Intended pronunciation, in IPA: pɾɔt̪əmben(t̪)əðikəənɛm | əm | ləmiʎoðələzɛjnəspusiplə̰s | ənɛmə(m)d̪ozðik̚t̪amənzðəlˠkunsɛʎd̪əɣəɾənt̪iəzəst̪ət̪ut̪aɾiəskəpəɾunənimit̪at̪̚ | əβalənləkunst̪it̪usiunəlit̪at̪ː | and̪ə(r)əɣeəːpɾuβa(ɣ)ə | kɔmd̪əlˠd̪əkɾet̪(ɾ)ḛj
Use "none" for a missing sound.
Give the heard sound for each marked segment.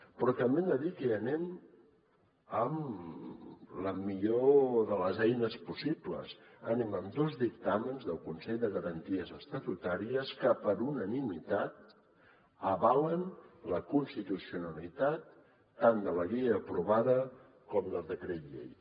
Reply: d̪, m, l, ð, ʎ

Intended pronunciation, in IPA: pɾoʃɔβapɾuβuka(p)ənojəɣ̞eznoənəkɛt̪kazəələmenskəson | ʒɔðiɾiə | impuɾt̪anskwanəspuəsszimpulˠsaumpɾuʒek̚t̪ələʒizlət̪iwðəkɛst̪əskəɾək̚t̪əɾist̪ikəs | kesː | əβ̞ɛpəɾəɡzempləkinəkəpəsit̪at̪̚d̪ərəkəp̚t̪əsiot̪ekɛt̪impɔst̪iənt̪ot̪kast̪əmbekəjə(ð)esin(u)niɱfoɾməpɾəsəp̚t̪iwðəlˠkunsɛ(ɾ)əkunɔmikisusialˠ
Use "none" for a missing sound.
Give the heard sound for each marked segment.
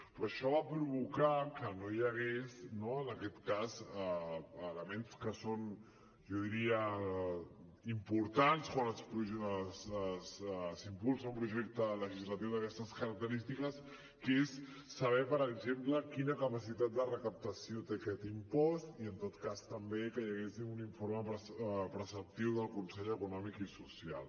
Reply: k, ɣ, u, ʎ

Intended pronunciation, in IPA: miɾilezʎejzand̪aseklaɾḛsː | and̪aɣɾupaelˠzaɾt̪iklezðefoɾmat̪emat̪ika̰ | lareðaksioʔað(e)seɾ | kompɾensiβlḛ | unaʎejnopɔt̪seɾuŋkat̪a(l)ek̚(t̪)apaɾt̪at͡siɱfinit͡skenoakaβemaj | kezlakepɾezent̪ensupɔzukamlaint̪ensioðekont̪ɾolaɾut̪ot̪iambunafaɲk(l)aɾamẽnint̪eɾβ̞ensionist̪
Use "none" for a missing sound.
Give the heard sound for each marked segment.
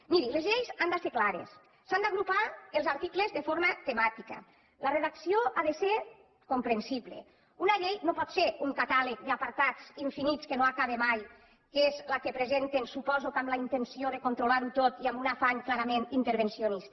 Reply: e, l, d̪, l

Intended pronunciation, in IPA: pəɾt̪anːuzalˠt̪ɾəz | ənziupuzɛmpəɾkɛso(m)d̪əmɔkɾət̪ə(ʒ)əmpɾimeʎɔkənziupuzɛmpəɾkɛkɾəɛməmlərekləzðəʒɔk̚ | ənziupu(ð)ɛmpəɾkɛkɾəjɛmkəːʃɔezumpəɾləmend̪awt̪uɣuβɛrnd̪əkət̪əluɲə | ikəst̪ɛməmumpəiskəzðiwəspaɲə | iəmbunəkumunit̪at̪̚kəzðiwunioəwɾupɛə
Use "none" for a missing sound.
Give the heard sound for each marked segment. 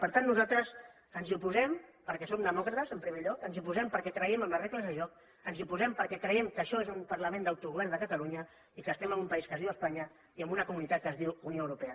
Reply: m, z, z

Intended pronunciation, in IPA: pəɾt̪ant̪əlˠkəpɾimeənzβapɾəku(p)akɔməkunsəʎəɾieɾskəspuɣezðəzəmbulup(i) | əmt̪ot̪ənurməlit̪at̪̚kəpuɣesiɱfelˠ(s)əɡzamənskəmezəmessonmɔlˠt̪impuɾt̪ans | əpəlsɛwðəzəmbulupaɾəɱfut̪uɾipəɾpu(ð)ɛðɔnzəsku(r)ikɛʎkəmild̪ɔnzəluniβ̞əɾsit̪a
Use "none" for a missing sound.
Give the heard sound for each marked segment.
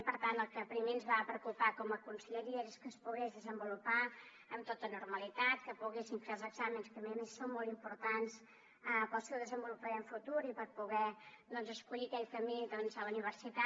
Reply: p, a, z, ɣ, ʎ

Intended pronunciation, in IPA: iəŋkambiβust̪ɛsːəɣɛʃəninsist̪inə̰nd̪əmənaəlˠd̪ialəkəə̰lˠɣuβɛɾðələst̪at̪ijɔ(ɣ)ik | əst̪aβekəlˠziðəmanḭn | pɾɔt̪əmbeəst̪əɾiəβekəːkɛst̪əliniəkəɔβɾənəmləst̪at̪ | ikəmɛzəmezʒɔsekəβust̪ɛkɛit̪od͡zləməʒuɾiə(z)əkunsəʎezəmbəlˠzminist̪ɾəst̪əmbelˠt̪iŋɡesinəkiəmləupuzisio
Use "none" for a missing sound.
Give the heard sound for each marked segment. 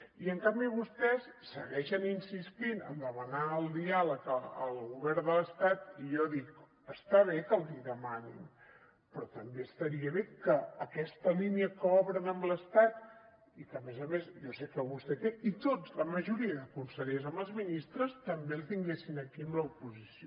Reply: ð, ð

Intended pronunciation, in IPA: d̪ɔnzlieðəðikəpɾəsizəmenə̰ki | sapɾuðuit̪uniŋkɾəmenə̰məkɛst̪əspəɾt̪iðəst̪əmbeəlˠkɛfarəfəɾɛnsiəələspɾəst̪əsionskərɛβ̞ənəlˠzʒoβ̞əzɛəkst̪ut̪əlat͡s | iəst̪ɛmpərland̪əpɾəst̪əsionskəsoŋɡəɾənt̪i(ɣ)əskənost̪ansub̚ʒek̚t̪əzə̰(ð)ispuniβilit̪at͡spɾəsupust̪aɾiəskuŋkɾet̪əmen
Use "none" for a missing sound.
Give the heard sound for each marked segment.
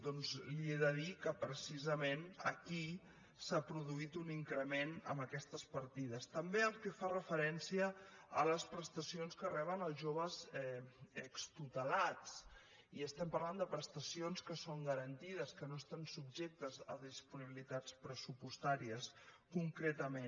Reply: ð, ð

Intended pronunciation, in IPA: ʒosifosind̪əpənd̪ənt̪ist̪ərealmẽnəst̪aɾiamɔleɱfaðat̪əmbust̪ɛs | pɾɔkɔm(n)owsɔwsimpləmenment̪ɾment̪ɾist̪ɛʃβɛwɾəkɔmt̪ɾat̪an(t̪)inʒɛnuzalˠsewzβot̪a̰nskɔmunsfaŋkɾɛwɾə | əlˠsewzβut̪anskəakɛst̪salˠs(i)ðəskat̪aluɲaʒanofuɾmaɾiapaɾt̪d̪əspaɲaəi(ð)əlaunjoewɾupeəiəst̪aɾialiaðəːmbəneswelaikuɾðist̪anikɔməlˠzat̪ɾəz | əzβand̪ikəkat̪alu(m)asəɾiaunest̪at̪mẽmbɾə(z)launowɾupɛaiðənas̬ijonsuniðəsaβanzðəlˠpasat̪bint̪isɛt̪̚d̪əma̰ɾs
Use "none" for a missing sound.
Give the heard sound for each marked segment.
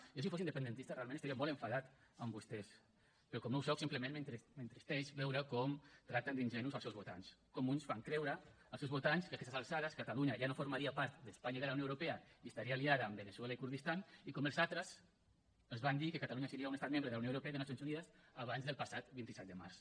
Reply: n, d̪, a, ð, ɲ, ð

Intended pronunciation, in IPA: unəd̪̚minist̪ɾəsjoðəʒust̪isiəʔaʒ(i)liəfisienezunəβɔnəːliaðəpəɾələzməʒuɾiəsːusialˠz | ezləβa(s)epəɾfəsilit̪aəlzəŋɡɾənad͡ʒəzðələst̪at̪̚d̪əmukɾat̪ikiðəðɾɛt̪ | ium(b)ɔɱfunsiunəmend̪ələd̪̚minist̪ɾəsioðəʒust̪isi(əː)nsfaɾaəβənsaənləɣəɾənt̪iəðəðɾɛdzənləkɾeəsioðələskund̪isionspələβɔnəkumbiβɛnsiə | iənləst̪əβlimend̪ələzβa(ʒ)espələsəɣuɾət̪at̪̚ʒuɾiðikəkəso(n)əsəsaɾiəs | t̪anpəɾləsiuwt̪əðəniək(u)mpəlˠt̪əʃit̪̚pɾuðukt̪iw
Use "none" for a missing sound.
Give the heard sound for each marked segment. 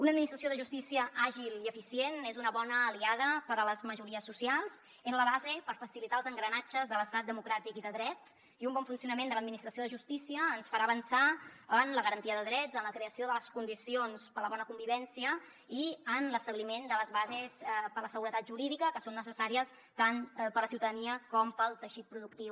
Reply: i, z, b, əː, z, nː, ɔ

